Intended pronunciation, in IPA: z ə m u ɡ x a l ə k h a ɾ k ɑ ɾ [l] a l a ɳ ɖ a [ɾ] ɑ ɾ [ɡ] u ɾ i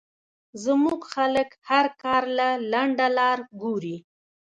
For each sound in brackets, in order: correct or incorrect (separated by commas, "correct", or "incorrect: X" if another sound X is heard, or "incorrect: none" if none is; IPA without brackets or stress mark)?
correct, incorrect: l, correct